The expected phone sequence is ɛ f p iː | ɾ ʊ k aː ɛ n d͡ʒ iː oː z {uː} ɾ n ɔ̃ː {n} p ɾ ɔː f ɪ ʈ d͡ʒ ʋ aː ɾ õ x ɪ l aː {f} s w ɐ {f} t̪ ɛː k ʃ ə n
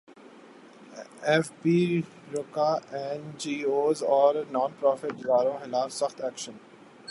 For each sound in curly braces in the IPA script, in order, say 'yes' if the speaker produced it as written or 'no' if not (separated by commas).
no, yes, yes, no